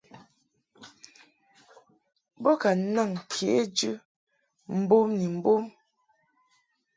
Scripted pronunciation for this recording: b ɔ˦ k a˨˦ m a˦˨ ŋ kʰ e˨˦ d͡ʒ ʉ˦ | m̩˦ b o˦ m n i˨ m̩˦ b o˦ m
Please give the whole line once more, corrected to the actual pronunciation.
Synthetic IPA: b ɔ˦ k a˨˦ n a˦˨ ŋ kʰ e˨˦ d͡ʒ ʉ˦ | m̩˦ b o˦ m n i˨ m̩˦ b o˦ m